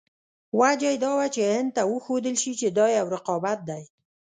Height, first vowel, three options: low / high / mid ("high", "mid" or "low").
low